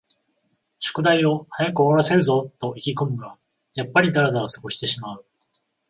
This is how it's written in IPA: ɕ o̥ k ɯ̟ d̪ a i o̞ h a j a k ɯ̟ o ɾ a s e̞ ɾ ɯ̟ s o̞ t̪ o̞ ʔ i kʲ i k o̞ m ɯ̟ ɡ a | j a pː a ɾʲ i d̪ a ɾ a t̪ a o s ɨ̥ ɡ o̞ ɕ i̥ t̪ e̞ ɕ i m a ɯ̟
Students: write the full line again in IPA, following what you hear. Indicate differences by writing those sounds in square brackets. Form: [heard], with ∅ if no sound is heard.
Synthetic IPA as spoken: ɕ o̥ k ɯ̟ d̪ a i o̞ h a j a k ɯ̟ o ɾ a s e̞ ɾ ɯ̟ [z] o̞ t̪ o̞ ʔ i kʲ i k o̞ m ɯ̟ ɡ a | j a pː a ɾʲ i d̪ a ɾ a [d̪] a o s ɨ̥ ɡ o̞ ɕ i̥ t̪ e̞ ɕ i m a ɯ̟